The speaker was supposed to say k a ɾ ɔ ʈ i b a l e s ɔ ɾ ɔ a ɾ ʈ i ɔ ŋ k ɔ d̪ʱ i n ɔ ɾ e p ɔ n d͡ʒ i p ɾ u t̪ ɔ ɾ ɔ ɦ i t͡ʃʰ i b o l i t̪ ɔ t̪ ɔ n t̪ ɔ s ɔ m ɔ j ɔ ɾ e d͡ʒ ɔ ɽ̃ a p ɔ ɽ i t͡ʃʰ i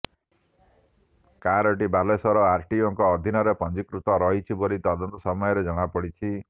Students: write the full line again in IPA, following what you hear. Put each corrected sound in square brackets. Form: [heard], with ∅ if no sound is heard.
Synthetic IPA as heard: k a ɾ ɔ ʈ i b a l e s ɔ ɾ ɔ a ɾ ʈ i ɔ ŋ k [ɔː] d̪ʱ i n ɔ ɾ e p ɔ n d͡ʒ i [k] ɾ u t̪ ɔ ɾ ɔ ɦ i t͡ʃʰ i b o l i t̪ ɔ [d̪] ɔ n t̪ ɔ s ɔ m ɔ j ɔ ɾ e d͡ʒ ɔ ɽ̃ a p ɔ ɽ i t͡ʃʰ i

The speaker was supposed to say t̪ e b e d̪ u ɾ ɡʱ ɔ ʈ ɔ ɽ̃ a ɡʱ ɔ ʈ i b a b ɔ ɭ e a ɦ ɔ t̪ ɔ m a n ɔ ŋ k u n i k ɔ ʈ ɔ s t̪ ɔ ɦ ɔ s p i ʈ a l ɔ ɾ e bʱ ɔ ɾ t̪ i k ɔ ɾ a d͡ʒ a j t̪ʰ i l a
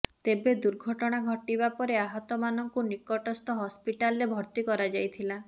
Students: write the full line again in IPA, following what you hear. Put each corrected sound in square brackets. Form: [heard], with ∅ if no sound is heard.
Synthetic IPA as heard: t̪ e b e d̪ u ɾ ɡʱ ɔ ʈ ɔ ɽ̃ a ɡʱ ɔ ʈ i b a [p] ɔ [ɾ] e a ɦ ɔ t̪ ɔ m a n ɔ ŋ k u n i k ɔ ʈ ɔ s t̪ ɔ ɦ ɔ s p i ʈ a l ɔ ɾ e bʱ ɔ ɾ t̪ i k ɔ ɾ a d͡ʒ a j t̪ʰ i l a

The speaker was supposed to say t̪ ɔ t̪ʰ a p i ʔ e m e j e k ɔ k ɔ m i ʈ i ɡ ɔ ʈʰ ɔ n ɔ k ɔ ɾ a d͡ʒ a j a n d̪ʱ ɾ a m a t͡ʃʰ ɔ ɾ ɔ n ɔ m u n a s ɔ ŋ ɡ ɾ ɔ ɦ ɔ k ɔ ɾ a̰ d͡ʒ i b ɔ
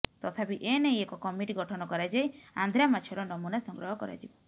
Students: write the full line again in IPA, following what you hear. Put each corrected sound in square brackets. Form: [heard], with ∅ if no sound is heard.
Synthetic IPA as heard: t̪ ɔ t̪ʰ a p i ʔ e [n] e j e k ɔ k ɔ m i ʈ i ɡ ɔ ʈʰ ɔ n ɔ k ɔ ɾ a d͡ʒ a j a n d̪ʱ ɾ a m a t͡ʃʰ ɔ ɾ ɔ n ɔ m u n a s ɔ ŋ ɡ ɾ ɔ ɦ ɔ k ɔ ɾ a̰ d͡ʒ i b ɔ

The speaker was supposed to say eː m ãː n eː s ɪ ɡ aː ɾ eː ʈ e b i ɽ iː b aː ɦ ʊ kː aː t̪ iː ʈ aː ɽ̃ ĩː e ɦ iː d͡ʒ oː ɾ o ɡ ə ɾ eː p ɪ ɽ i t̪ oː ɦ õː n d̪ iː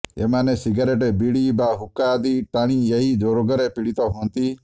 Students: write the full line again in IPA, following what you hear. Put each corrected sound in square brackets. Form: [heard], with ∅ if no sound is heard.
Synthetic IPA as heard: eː m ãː n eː s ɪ ɡ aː ɾ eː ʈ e b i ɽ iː b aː ɦ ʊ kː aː [d̪] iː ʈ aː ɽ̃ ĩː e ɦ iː d͡ʒ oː ɾ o ɡ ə ɾ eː p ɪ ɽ i t̪ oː ɦ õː n [t̪] iː

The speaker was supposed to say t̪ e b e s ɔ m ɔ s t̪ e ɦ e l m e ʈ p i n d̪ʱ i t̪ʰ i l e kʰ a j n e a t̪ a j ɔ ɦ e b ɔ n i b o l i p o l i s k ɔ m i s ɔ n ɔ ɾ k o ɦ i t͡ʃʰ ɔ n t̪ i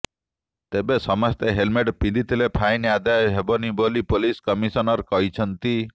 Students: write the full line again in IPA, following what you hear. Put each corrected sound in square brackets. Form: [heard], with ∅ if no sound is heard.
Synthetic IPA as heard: t̪ e b e s ɔ m ɔ s t̪ e ɦ e l m e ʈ p i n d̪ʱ i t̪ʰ i l e [pʰ] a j n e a [d̪] a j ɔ ɦ e b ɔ n i b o l i p o l i s k ɔ m i s ɔ n ɔ ɾ k [ɔ] ɦ i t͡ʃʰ ɔ n t̪ i

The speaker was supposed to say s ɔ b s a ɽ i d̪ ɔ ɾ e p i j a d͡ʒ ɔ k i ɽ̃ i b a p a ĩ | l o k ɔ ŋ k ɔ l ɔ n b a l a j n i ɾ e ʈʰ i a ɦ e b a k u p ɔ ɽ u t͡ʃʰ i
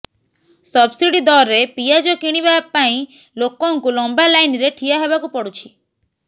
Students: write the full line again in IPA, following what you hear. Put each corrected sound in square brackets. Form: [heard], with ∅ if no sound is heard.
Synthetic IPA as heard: s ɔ b s [i] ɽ i d̪ ɔ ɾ e p i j a d͡ʒ ɔ k i ɽ̃ i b a p a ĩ | l o k ɔ ŋ k [u] l ɔ [m] b a l a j n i ɾ e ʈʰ i a ɦ e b a k u p ɔ ɽ u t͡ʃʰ i

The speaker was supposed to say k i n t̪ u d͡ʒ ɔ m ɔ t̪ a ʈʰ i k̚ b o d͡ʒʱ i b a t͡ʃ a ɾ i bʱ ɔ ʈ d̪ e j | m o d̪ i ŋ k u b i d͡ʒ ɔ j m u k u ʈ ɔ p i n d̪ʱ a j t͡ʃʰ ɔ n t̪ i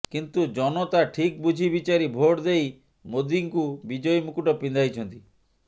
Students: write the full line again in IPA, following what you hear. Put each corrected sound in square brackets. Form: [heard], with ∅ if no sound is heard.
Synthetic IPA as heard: k i n t̪ u d͡ʒ ɔ [n] ɔ t̪ a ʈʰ i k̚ b [u] d͡ʒʱ i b [i] t͡ʃ a ɾ i bʱ [o] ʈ d̪ e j | m o d̪ i ŋ k u b i d͡ʒ ɔ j m u k u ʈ ɔ p i n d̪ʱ a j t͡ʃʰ ɔ n t̪ i

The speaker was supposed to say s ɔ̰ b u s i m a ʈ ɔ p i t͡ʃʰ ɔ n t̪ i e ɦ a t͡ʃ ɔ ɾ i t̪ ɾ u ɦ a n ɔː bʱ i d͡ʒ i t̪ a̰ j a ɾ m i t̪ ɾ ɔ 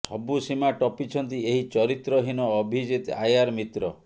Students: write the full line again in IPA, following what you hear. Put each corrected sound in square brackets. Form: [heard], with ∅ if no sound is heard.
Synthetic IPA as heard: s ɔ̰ b u s i m a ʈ ɔ p i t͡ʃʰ ɔ n t̪ i e ɦ [i] t͡ʃ ɔ ɾ i t̪ ɾ [ɔ] ɦ [i] n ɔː bʱ i d͡ʒ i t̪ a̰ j a ɾ m i t̪ ɾ ɔ

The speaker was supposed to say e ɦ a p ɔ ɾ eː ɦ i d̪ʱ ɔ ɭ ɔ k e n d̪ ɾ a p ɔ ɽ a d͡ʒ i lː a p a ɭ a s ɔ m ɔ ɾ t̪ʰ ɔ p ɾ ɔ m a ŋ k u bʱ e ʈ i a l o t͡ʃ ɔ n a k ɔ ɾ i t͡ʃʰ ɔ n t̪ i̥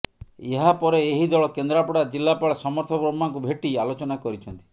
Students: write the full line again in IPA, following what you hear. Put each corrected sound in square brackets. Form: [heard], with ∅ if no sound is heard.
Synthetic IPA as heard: e ɦ a p ɔ ɾ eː ɦ i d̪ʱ ɔ ɭ ɔ k e n d̪ ɾ a p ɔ ɽ a d͡ʒ i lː a p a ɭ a s ɔ m ɔ ɾ t̪ʰ ɔ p ɾ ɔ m a ŋ k u bʱ e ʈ i a l o t͡ʃ ɔ n a k ɔ ɾ i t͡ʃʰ ɔ n t̪ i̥

